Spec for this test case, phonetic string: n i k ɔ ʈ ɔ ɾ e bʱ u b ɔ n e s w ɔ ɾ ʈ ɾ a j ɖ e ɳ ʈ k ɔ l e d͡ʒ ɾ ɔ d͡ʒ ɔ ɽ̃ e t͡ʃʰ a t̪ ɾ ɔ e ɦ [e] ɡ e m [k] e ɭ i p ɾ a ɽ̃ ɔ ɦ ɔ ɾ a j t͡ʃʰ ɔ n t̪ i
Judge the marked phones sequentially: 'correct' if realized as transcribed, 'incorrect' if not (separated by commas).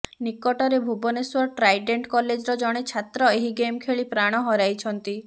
incorrect, incorrect